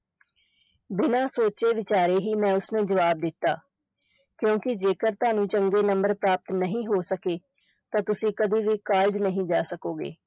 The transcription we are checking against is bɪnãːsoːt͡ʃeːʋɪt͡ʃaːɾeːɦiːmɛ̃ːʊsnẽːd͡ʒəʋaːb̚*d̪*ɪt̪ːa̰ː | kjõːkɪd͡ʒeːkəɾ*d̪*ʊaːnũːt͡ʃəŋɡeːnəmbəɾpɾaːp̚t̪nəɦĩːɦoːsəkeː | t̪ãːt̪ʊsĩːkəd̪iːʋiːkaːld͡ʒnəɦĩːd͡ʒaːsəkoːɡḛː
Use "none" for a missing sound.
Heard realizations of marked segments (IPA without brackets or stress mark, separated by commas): d̪, t̪